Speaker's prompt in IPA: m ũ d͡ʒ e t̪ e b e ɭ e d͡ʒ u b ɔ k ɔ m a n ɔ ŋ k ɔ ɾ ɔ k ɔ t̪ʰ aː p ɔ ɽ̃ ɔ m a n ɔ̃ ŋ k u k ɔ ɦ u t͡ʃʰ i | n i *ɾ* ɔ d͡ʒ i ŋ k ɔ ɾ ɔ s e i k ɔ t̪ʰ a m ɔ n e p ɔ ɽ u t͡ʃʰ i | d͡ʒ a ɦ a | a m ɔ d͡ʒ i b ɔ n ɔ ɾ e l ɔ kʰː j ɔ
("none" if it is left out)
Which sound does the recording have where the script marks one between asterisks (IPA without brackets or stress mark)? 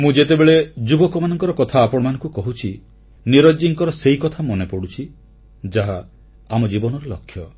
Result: ɾ